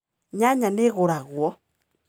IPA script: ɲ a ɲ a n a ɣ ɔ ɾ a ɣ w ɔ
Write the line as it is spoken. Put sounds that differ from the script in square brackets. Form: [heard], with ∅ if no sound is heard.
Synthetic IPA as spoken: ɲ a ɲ a n [e] ɣ [o] ɾ a ɣ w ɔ